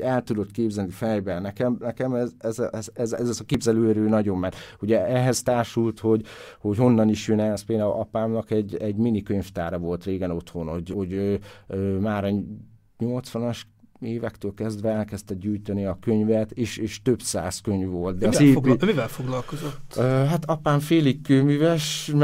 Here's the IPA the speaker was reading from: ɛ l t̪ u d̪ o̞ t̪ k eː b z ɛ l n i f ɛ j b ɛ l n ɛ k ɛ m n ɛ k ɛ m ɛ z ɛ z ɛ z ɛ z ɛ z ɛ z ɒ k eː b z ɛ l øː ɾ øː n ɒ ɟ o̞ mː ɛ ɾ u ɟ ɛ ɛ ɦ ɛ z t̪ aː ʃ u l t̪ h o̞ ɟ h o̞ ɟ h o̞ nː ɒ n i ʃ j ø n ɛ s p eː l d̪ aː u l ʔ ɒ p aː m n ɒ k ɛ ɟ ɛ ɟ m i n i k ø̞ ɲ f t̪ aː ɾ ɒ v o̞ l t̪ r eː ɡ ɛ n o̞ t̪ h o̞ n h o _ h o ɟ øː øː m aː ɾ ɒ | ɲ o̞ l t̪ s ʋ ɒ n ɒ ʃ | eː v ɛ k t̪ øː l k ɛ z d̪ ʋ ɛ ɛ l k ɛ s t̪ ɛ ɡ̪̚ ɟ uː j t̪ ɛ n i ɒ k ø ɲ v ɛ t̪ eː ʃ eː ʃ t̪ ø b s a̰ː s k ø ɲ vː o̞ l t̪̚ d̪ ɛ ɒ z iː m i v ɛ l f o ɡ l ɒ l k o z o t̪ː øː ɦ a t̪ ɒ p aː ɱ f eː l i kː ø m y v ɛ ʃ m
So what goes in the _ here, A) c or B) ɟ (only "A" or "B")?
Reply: B